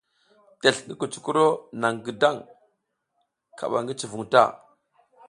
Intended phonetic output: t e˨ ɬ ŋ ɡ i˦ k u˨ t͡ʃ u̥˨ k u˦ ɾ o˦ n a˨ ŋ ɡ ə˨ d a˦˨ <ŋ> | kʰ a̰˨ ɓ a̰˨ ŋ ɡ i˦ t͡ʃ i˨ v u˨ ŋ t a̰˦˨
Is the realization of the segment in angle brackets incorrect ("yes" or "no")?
no